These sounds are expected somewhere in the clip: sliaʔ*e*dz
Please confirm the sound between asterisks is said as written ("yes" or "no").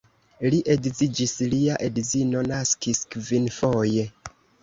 yes